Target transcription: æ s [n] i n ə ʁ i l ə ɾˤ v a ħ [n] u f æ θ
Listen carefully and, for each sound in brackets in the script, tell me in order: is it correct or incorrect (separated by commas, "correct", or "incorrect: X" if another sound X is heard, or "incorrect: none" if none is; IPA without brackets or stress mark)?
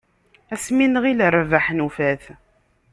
incorrect: m, correct